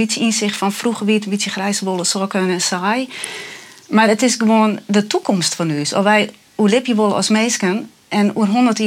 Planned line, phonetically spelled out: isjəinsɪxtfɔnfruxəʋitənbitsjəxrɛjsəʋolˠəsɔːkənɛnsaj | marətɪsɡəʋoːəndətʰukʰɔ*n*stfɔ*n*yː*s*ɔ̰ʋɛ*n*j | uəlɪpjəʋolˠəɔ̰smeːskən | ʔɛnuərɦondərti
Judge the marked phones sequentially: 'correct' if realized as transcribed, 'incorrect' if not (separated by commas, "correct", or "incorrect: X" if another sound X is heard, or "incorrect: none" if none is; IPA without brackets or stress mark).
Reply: incorrect: m, correct, correct, incorrect: none